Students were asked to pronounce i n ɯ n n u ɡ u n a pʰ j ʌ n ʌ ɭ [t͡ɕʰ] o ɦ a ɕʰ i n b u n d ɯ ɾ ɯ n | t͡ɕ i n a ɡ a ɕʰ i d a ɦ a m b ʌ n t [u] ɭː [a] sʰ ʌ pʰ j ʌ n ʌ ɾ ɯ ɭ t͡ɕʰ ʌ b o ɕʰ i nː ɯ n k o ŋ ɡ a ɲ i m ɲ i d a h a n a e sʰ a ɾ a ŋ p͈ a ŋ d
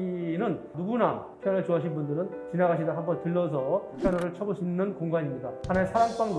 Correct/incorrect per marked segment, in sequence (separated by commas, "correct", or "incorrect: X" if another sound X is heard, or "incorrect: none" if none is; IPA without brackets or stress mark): incorrect: t͡ɕ, incorrect: ɯ, incorrect: ʌ